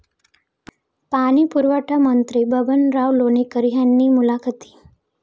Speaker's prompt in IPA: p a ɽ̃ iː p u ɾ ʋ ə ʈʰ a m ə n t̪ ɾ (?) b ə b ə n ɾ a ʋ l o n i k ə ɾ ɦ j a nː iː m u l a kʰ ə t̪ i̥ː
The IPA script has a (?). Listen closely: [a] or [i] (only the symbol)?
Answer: i